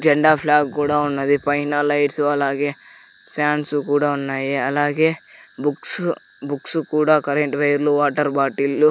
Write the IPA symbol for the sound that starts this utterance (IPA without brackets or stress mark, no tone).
d͡ʒ